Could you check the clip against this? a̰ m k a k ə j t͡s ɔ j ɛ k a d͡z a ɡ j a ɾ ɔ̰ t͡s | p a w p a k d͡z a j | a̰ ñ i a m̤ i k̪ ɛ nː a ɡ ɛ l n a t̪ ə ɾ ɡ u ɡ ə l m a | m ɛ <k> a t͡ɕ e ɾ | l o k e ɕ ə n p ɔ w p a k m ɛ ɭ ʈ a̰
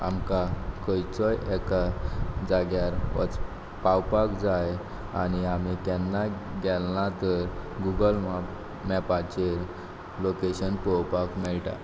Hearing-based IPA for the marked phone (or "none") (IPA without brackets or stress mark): p